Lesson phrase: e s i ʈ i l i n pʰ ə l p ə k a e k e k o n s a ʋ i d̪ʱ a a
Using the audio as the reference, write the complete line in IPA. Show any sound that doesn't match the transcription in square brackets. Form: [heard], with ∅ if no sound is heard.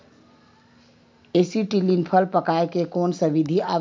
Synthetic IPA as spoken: e s i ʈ i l i n pʰ ə l p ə k a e k e k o n s [ə] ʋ i d̪ʱ [i] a